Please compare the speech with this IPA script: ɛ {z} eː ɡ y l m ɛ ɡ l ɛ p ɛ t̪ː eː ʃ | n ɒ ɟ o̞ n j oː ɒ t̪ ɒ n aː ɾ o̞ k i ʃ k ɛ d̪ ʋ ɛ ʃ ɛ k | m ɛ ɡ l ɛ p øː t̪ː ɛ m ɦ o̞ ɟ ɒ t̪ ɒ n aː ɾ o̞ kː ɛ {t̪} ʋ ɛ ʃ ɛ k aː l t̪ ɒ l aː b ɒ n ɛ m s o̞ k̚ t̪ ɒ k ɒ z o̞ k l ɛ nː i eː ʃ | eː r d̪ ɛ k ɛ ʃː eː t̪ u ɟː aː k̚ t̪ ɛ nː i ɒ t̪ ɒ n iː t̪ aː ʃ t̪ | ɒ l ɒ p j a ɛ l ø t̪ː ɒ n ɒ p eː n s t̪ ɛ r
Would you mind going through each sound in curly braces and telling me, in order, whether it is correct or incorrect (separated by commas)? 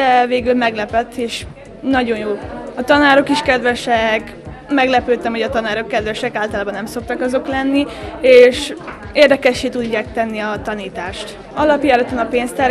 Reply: incorrect, incorrect